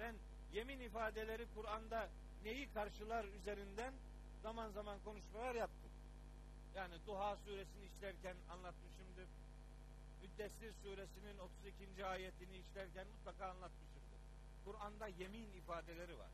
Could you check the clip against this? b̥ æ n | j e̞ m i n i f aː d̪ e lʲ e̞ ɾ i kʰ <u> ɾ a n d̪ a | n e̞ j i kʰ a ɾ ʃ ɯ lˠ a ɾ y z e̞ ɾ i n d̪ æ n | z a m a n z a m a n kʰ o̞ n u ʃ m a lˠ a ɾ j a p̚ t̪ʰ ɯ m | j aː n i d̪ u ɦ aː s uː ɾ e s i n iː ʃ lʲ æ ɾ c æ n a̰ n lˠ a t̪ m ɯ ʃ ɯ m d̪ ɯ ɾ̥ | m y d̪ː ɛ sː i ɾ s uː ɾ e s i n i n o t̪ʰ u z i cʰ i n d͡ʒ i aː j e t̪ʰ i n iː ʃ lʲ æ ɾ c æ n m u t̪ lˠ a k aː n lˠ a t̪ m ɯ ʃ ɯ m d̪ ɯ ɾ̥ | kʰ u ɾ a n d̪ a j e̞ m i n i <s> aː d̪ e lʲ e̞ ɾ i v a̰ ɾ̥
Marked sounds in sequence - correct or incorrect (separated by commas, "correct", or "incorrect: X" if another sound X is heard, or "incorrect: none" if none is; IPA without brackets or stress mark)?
correct, incorrect: f